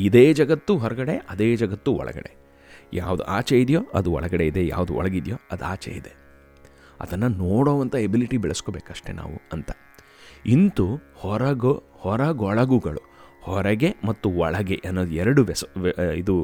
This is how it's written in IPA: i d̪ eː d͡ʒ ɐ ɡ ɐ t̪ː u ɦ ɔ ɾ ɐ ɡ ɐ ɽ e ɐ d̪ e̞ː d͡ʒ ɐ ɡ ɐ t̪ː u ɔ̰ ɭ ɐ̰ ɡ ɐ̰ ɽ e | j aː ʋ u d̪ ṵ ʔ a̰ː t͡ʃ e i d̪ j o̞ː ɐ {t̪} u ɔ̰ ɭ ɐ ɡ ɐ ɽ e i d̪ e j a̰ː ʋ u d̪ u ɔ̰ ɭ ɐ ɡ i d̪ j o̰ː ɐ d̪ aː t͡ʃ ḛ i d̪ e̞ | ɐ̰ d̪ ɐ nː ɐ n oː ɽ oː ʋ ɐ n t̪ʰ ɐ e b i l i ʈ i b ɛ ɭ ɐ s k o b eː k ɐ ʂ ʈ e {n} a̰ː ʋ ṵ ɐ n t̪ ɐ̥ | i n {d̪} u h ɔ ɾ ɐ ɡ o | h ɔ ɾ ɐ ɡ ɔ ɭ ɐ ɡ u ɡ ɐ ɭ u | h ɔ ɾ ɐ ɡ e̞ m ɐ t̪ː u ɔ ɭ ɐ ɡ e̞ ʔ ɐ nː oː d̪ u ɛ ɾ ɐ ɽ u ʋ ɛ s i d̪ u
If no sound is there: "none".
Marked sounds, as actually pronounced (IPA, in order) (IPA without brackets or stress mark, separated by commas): d̪, n, t̪